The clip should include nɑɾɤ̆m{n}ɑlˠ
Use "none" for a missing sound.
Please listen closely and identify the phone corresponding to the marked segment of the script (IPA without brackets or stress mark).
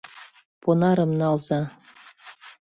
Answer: n